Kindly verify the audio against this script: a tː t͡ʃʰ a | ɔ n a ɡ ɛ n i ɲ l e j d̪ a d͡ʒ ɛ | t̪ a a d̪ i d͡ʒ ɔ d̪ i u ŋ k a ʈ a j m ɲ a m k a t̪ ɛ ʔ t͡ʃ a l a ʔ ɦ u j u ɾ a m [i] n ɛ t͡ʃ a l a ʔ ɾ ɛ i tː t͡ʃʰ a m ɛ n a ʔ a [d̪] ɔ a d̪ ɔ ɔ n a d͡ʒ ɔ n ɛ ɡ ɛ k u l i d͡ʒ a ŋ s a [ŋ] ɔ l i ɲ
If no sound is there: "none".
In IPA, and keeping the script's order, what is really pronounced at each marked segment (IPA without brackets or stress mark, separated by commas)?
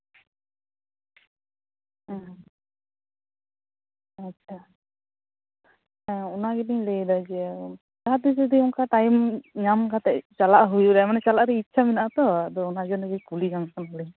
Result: a, t̪, n